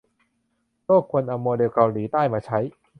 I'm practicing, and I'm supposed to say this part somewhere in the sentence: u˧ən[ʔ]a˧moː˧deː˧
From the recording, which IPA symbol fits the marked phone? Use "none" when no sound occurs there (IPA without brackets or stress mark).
ʔ